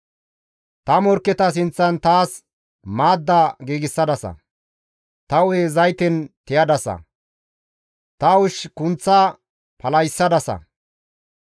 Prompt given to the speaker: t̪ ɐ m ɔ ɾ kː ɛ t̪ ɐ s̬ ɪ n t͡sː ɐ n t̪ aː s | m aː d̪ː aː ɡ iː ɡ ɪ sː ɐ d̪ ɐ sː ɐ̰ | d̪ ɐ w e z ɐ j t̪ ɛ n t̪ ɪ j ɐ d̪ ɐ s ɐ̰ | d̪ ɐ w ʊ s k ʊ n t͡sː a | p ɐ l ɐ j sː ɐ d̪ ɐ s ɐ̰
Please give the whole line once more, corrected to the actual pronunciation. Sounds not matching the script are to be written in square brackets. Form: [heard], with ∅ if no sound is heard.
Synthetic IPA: t̪ ɐ m ɔ ɾ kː ɛ t̪ ɐ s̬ ɪ n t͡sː ɐ n t̪ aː s | m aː d̪ː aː ɡ iː ɡ ɪ sː ɐ d̪ ɐ [s] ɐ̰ | [t̪] ɐ w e z ɐ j t̪ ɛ n t̪ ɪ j ɐ d̪ ɐ s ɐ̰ | [t̪] ɐ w ʊ [ʃ] k ʊ n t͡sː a | p ɐ l ɐ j sː ɐ d̪ ɐ s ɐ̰